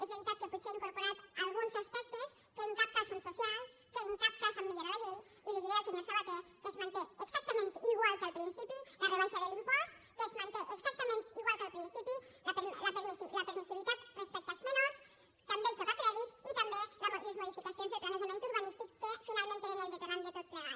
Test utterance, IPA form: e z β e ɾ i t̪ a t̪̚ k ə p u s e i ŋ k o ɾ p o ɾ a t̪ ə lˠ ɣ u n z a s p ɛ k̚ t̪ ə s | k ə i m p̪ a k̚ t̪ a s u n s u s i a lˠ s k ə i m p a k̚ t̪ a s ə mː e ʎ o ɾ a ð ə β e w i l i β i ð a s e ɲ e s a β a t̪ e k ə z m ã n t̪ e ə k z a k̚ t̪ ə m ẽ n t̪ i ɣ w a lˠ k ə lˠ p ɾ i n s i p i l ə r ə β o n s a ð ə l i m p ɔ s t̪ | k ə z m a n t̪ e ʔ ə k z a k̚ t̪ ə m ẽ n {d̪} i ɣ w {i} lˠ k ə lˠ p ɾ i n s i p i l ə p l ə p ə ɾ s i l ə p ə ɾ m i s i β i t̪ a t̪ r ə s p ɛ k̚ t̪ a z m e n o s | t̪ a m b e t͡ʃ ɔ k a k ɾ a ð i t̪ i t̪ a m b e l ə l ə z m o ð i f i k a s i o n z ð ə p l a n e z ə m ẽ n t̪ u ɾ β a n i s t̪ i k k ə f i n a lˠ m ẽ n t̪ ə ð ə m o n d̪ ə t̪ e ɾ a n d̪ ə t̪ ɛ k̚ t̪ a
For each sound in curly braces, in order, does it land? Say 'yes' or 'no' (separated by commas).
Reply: no, no